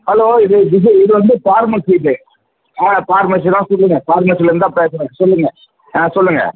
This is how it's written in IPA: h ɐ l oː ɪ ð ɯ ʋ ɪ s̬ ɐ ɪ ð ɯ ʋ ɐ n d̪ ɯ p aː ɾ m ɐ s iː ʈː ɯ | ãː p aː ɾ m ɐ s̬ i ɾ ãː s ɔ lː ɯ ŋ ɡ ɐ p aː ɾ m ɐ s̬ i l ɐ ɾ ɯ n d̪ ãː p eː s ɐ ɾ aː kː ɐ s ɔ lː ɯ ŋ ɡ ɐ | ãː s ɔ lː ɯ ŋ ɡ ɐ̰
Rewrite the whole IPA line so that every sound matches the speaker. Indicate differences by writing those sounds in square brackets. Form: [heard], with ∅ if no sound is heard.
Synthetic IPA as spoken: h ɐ l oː ɪ ð ɯ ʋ ɪ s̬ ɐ ɪ ð ɯ ʋ ɐ n d̪ ɯ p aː ɾ m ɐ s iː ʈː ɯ | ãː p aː ɾ m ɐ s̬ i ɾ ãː s ɔ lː ɯ ŋ ɡ ɐ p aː ɾ m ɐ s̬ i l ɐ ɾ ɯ n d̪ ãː p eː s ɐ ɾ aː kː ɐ s ɔ lː ɯ ŋ ɡ ɐ | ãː s ɔ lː ɯ ŋ ɡ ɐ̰

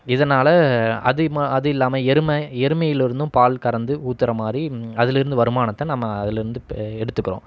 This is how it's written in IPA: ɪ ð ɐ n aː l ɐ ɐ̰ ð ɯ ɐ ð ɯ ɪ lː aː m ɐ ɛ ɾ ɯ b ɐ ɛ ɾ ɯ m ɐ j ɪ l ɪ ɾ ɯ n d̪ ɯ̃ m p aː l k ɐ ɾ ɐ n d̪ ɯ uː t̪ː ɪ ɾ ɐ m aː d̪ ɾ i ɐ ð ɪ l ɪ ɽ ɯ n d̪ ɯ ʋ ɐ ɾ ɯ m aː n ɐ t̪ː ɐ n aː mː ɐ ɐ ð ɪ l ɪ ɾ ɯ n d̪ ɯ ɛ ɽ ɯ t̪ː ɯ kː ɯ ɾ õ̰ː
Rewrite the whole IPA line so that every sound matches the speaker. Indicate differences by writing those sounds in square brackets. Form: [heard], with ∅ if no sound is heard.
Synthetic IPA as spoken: ɪ ð ɐ n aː l ɐ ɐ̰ ð ɯ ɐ ð ɯ ɪ lː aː m ɐ ɛ ɾ ɯ [m] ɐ ɛ ɾ ɯ m ɐ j ɪ l ɪ ɾ ɯ n d̪ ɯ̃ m p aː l k ɐ ɾ ɐ n d̪ ɯ uː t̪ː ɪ ɾ ɐ m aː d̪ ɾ i ɐ ð ɪ l ɪ [ɾ] ɯ n d̪ ɯ ʋ ɐ ɾ ɯ m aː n ɐ t̪ː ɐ n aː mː ɐ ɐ ð ɪ l ɪ ɾ ɯ n d̪ ɯ ɛ ɽ ɯ t̪ː ɯ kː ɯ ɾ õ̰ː

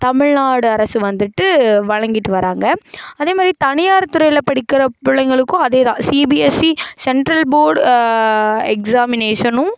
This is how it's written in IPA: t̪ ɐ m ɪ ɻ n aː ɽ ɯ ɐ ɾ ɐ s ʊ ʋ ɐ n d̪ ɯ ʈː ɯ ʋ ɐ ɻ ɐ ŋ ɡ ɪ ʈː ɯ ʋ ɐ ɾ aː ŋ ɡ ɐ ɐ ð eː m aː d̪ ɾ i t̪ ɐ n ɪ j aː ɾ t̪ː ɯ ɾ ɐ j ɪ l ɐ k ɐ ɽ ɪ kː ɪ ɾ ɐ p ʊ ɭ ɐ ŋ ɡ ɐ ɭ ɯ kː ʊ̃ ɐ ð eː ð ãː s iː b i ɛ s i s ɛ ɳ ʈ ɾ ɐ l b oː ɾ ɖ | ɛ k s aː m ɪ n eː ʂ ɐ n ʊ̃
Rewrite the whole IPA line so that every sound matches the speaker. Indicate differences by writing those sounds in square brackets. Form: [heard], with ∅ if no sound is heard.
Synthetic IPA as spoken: t̪ ɐ m ɪ ɻ n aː ɽ ɯ ɐ ɾ ɐ s [ɯ] ʋ ɐ n d̪ ɯ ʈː ɯ ʋ ɐ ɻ ɐ ŋ ɡ ɪ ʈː ɯ ʋ ɐ ɾ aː ŋ ɡ ɐ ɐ ð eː m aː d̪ ɾ i t̪ ɐ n ɪ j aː ɾ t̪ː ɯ ɾ ɐ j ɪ l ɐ [p] ɐ ɽ ɪ kː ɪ ɾ ɐ p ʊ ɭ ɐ ŋ ɡ ɐ ɭ ɯ kː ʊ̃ ɐ ð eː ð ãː s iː b i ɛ s i s ɛ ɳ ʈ ɾ ɐ l b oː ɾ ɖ | ɛ k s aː m ɪ n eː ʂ ɐ n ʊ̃

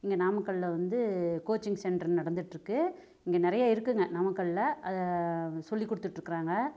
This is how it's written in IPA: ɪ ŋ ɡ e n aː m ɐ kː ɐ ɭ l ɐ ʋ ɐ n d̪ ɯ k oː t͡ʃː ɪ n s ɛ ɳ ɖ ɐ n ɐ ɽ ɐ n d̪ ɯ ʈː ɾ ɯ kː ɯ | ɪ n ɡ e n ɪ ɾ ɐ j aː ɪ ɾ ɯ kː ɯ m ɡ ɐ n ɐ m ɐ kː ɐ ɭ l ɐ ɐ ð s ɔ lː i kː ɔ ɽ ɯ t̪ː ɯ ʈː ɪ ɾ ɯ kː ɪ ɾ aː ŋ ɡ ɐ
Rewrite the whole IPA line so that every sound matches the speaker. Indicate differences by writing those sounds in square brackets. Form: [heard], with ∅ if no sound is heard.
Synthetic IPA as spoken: ɪ ŋ ɡ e n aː m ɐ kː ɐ ɭ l ɐ ʋ ɐ n d̪ ɯ k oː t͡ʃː ɪ [ŋ] s ɛ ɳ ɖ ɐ n ɐ ɽ ɐ n d̪ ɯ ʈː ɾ ɯ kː ɯ | ɪ [ŋ] ɡ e n ɪ ɾ ɐ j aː ɪ ɾ ɯ kː ɯ [ŋ] ɡ ɐ n ɐ m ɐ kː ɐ ɭ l ɐ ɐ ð s ɔ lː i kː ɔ ɽ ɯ t̪ː ɯ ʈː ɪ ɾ ɯ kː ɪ ɾ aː ŋ ɡ ɐ

